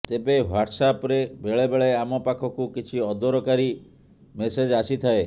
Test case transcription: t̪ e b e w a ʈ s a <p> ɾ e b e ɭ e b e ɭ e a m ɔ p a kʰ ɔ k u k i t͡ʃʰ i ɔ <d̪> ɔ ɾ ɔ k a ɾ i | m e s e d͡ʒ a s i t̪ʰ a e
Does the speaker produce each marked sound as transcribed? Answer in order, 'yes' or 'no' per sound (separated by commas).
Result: yes, yes